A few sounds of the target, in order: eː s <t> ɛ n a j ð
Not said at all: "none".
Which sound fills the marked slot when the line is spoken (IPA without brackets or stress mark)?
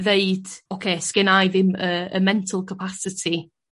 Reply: k